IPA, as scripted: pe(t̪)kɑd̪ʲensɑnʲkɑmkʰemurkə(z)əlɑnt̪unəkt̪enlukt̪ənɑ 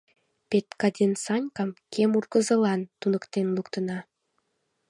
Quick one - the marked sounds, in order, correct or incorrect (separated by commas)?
correct, correct